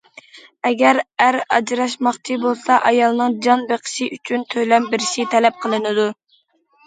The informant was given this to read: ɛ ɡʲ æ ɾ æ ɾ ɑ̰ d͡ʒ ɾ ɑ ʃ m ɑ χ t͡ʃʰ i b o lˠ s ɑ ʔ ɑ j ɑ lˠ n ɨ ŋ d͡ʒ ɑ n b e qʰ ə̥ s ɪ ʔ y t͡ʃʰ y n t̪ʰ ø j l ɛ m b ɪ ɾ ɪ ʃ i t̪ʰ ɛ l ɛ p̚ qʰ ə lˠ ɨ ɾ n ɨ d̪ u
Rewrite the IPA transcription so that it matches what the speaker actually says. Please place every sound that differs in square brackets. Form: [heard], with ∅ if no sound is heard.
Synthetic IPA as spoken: ɛ ɡʲ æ ɾ æ ɾ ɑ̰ d͡ʒ ɾ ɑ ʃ m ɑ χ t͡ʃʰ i b o lˠ s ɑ ʔ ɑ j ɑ lˠ n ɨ ŋ d͡ʒ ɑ n b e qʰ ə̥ [ʃ] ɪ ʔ y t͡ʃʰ y n t̪ʰ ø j l ɛ m b ɪ ɾ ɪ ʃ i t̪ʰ ɛ l ɛ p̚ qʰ ə lˠ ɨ [∅] n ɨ d̪ u